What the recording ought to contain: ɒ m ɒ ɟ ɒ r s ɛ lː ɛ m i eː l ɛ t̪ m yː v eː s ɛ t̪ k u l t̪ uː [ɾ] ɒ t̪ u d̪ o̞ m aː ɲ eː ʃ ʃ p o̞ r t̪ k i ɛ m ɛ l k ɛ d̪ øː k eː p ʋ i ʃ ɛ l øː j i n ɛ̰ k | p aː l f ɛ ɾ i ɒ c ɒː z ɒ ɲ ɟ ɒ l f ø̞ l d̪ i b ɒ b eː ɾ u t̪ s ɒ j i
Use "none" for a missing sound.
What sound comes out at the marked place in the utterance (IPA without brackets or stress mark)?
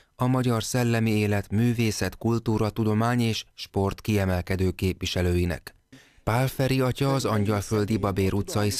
ɾ